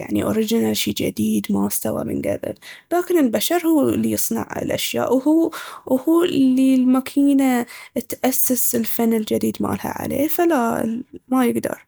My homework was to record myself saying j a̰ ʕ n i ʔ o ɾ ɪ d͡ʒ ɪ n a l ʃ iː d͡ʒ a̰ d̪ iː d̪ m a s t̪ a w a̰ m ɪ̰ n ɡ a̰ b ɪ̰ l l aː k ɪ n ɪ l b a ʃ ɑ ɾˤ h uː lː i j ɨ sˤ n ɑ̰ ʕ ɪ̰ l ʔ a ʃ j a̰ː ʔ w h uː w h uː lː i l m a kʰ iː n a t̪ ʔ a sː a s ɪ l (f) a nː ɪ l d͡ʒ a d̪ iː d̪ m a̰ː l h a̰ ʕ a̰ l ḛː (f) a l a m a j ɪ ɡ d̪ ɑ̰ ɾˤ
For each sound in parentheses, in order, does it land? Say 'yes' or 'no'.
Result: yes, yes

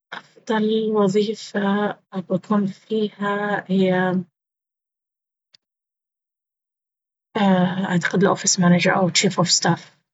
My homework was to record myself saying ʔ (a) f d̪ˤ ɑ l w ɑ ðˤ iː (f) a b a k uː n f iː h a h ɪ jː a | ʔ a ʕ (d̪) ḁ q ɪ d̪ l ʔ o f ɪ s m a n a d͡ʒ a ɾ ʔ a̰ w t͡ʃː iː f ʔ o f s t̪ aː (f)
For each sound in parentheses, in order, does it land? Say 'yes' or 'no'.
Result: no, yes, no, yes

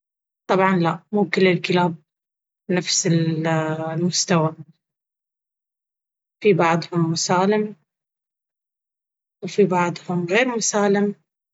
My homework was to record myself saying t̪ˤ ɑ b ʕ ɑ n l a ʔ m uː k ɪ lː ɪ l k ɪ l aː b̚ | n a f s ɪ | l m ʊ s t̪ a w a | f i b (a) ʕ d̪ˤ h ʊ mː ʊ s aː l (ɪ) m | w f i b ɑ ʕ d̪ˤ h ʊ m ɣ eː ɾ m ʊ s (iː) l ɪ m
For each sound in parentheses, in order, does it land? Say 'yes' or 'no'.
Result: no, yes, no

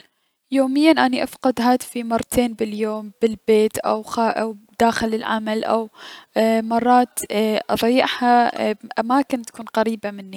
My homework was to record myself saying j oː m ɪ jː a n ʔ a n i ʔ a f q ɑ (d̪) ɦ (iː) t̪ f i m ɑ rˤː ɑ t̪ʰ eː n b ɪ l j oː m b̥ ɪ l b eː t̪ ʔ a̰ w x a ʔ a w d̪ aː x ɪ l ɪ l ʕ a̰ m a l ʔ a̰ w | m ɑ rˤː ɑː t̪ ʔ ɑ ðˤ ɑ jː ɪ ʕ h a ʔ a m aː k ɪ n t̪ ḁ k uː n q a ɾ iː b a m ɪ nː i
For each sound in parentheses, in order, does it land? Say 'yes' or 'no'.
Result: yes, no

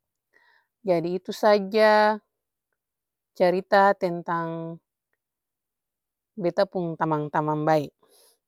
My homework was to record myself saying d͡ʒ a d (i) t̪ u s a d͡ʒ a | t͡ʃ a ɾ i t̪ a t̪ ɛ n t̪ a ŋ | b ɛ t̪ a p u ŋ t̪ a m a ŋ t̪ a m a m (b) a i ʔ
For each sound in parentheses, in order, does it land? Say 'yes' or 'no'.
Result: no, yes

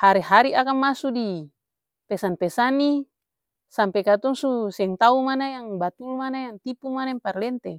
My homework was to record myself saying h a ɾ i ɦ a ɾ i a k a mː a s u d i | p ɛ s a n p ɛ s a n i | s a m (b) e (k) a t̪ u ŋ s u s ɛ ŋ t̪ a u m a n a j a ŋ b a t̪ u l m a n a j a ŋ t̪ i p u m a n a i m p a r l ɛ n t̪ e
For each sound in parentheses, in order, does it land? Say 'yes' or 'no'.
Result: no, yes

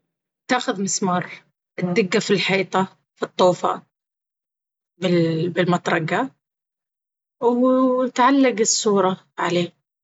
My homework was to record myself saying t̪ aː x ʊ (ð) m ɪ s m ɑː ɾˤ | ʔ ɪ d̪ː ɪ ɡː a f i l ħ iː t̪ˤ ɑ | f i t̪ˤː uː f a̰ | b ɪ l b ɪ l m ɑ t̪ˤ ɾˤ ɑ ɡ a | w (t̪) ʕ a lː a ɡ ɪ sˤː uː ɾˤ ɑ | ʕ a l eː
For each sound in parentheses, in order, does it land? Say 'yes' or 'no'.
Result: yes, yes

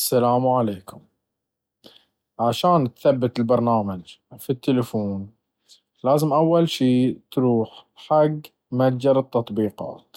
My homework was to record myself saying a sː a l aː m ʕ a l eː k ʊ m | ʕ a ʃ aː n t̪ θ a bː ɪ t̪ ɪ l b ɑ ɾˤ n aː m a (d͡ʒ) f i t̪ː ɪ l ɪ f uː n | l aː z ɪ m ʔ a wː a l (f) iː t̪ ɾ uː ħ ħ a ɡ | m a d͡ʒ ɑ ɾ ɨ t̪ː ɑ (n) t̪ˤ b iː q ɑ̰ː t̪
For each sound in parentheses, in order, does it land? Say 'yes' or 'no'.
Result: yes, no, no

